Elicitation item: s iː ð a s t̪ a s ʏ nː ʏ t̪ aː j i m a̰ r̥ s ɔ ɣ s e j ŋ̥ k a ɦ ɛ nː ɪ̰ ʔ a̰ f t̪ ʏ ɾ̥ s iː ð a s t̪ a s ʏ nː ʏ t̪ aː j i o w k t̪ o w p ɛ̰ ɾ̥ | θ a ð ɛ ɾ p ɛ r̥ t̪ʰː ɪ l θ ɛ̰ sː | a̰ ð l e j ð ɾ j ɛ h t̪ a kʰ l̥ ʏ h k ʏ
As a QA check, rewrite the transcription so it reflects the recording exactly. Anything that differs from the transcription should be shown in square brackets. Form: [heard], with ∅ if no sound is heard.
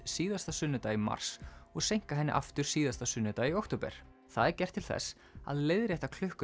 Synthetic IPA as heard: s iː ð a s t̪ a s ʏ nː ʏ t̪ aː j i m a̰ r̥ s ɔ ɣ s e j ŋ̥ k a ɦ ɛ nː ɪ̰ ʔ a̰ f t̪ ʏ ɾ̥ s iː ð a s t̪ a s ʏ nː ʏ t̪ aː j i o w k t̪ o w p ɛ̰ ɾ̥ | θ a ð ɛ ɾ [c] ɛ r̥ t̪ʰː ɪ l θ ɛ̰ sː | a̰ ð l e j ð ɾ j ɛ h t̪ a kʰ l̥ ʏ h k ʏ